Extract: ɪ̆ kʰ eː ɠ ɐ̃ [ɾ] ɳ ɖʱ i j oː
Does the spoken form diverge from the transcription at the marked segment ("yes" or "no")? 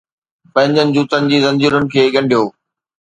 yes